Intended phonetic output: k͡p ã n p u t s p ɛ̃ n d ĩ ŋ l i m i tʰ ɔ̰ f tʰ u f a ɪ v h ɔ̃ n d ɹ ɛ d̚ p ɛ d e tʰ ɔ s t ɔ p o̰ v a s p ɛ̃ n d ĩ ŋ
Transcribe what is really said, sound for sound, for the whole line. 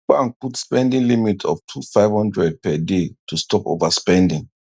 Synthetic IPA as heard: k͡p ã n p u t s p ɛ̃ n d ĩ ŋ l i m i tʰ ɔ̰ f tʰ u f a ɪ v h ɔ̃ n d ɹ ɛ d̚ p ɛ d e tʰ u s t ɔ p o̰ v a s p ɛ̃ n d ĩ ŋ